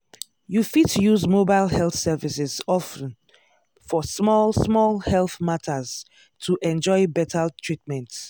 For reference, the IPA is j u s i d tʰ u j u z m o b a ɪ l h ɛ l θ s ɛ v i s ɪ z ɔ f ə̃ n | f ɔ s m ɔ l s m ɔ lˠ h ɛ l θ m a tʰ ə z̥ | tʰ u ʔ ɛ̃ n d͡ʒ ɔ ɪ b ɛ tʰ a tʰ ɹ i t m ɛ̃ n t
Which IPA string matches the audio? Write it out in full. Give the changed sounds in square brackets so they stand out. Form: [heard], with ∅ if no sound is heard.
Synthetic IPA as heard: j u [f] i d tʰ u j u z m o b a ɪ l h ɛ l θ s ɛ v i s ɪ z ɔ f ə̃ n | f ɔ s m ɔ l s m ɔ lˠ h ɛ l θ m a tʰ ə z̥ | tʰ u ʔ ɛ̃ n d͡ʒ ɔ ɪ b ɛ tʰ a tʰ ɹ i t m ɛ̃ n t